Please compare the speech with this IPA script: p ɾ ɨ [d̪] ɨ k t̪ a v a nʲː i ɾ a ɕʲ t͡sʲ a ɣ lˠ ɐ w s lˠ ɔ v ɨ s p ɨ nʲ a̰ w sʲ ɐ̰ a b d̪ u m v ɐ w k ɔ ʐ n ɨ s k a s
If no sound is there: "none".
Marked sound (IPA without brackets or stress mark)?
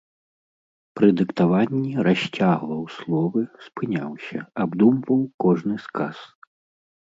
d̪